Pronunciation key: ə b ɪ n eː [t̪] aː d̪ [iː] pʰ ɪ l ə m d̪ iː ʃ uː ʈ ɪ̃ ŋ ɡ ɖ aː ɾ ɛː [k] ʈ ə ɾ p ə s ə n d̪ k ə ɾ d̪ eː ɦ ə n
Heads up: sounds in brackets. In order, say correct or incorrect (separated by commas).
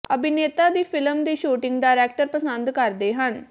correct, correct, correct